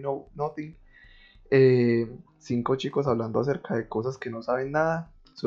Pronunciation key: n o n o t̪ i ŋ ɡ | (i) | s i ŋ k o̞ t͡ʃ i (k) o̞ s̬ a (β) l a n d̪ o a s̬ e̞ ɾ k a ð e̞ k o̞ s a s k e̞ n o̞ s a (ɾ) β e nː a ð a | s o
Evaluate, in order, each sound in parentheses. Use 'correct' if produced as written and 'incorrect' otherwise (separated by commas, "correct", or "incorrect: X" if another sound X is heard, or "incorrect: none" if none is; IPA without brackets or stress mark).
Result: incorrect: e, correct, correct, incorrect: none